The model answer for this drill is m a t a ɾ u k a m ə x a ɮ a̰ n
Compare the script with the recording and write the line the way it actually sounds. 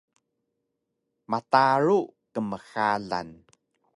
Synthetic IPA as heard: m a t a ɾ u k ə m ə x a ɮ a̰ n